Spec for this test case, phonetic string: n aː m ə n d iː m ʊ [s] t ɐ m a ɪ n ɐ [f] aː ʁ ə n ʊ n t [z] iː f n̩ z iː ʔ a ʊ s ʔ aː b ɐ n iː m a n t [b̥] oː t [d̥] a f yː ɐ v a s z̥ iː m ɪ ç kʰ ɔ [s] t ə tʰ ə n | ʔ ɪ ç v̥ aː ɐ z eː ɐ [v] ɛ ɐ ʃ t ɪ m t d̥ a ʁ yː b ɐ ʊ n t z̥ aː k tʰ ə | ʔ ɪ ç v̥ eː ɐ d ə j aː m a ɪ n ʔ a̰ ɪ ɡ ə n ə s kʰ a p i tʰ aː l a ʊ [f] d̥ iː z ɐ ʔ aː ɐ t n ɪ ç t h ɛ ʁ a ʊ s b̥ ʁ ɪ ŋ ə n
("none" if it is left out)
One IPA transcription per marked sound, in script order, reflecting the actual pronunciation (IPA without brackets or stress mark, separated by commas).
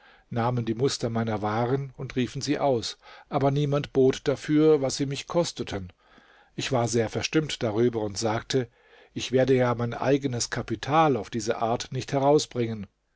s, v, ʁ, b̥, d̥, s, f, f